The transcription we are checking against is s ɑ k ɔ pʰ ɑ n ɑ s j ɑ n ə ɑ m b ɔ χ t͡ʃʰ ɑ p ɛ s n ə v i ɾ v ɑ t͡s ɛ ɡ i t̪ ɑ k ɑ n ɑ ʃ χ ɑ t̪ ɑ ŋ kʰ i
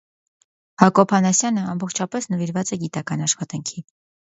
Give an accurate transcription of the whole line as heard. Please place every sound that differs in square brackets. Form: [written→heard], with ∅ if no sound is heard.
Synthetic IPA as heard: [s→h] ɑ k ɔ pʰ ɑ n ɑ s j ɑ n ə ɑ m b ɔ χ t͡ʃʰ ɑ p ɛ s n ə v i ɾ v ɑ t͡s ɛ ɡ i t̪ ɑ k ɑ n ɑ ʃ χ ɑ t̪ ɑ ŋ kʰ i